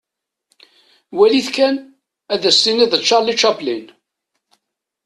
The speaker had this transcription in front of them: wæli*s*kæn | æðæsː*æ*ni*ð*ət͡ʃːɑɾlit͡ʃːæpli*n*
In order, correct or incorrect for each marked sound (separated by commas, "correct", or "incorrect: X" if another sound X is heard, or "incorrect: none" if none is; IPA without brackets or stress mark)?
incorrect: θ, incorrect: i, correct, correct